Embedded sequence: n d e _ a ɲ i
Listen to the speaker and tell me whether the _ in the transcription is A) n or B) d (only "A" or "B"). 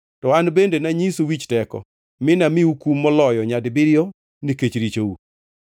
A